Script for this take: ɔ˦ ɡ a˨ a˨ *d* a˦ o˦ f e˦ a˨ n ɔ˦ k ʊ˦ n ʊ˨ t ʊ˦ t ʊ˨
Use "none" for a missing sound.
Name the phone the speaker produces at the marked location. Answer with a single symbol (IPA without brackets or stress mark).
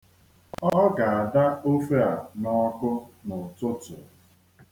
d